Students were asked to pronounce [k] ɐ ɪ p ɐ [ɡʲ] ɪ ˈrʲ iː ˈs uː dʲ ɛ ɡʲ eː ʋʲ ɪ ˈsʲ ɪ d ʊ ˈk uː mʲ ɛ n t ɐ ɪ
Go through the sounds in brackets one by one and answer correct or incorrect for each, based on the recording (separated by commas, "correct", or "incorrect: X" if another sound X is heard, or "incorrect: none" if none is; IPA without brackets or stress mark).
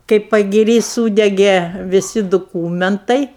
correct, correct